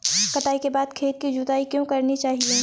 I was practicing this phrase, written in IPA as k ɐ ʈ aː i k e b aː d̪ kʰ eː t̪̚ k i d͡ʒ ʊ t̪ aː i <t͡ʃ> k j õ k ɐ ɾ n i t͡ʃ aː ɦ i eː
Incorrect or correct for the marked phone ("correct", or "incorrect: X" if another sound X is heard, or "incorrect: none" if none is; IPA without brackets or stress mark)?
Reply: incorrect: none